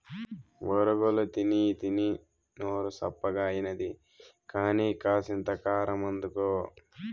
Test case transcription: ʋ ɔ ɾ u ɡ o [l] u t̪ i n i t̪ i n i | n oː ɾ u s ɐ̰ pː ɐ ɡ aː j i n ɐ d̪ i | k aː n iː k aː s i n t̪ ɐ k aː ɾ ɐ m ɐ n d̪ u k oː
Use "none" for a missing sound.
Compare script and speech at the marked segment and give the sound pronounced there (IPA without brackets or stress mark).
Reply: l